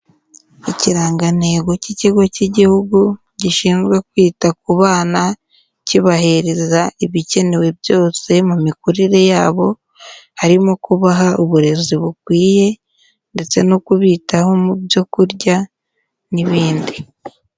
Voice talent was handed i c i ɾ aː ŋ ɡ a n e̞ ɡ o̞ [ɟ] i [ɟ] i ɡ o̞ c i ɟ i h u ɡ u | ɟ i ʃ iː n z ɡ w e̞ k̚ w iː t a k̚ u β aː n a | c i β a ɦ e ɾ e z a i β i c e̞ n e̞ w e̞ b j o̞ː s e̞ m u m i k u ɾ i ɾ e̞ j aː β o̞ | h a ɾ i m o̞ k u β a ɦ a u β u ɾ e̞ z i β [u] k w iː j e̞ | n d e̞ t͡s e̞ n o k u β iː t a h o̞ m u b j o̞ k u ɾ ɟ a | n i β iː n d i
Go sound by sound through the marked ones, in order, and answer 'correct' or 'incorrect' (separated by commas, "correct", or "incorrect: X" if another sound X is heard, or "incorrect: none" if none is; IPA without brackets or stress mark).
incorrect: c, incorrect: c, correct